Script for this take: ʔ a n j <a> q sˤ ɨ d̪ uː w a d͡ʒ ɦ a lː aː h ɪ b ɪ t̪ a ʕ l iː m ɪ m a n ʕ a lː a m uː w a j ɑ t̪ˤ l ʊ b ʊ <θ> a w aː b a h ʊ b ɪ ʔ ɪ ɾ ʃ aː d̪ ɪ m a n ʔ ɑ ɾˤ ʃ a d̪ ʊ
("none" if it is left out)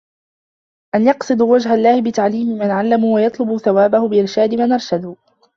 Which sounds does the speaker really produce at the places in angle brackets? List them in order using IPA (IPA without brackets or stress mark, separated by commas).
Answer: ɑ, θ